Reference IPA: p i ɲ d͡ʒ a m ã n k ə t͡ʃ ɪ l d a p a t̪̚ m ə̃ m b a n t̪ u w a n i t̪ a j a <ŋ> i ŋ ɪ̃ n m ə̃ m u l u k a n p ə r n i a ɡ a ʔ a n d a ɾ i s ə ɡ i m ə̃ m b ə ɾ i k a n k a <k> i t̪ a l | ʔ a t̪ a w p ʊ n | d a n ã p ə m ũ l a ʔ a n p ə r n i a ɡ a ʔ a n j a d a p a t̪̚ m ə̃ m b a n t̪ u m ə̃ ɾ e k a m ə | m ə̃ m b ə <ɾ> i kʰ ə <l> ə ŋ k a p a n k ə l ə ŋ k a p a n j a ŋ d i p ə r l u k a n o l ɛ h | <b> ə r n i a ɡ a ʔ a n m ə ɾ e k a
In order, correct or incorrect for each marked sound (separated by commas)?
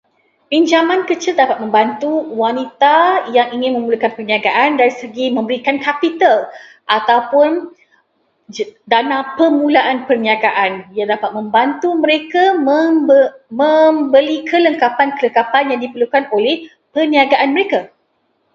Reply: correct, incorrect, incorrect, correct, incorrect